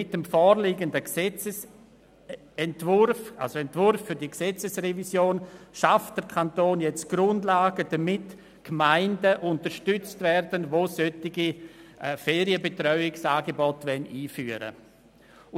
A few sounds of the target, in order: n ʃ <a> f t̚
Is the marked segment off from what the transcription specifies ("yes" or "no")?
no